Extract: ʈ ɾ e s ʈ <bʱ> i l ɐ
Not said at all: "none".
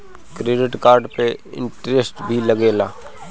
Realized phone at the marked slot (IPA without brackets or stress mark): bʱ